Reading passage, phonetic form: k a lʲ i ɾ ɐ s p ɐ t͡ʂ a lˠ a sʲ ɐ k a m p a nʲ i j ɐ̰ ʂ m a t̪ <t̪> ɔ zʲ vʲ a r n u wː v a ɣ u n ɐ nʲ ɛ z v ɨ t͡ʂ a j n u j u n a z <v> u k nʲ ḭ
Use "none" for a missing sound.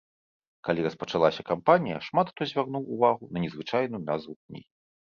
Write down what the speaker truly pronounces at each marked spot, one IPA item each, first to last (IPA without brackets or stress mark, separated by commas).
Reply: t̪, v